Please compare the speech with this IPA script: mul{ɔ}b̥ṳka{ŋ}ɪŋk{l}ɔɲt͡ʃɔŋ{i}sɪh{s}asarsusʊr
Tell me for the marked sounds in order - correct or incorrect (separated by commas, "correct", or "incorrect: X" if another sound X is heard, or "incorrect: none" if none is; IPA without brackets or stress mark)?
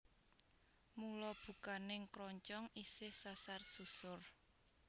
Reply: correct, incorrect: n, incorrect: ɾ, correct, correct